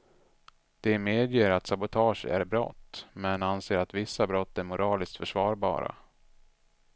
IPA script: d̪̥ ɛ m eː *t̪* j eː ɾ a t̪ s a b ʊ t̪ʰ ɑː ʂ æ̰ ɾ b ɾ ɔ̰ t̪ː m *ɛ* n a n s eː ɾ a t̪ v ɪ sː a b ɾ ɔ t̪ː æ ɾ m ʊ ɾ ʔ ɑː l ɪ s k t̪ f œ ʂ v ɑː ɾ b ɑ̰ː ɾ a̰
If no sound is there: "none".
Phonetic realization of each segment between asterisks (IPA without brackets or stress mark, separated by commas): d̪, ɛ